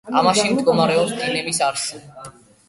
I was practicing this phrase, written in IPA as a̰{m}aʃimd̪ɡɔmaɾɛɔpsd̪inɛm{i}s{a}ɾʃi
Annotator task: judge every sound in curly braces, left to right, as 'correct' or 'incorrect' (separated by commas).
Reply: correct, correct, correct